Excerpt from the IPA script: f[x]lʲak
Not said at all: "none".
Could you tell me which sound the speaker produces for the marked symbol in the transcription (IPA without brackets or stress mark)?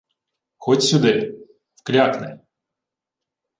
k